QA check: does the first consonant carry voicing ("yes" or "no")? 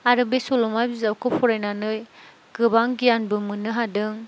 yes